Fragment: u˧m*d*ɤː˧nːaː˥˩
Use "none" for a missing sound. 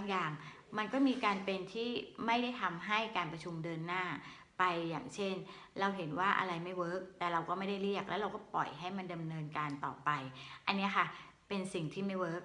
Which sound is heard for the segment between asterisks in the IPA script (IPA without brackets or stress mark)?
d